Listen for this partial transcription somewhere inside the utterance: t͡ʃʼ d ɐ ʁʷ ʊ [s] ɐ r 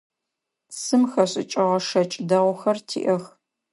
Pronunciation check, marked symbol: incorrect: x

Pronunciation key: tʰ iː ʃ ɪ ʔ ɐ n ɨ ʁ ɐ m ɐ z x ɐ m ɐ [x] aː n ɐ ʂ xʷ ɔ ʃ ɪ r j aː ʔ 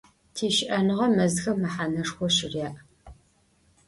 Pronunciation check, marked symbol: incorrect: ħ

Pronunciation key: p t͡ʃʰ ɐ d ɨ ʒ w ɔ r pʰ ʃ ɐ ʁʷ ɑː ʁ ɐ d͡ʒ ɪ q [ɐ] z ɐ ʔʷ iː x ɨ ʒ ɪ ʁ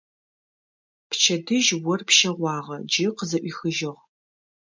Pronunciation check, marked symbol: incorrect: ə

